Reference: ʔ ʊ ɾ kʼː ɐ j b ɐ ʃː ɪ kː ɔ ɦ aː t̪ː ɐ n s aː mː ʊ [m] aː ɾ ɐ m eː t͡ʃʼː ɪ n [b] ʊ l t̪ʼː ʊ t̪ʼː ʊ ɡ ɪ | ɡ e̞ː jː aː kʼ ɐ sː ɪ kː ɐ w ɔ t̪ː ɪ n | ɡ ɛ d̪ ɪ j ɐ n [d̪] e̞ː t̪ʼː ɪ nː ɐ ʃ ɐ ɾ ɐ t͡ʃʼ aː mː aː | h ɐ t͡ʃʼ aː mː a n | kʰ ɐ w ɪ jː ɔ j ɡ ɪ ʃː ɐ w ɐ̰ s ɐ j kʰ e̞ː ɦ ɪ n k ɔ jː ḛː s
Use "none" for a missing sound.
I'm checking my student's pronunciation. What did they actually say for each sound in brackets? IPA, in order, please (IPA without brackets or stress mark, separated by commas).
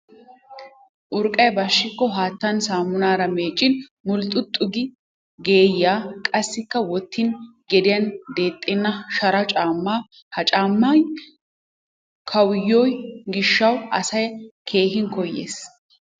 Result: n, m, d̪